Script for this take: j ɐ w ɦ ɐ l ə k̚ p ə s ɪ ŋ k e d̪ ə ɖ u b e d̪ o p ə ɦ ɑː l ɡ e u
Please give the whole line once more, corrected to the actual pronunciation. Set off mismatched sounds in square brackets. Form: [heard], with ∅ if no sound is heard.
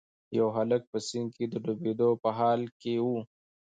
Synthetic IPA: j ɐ w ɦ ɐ l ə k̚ p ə s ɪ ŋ k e d̪ ə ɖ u b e d̪ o p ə ɦ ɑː l [k] e u